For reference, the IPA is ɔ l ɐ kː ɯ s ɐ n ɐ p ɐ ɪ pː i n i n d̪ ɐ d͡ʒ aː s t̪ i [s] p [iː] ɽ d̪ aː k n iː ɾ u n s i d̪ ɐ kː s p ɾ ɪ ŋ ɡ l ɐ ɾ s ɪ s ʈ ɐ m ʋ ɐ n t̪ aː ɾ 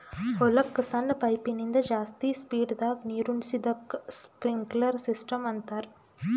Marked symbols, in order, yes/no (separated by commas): yes, yes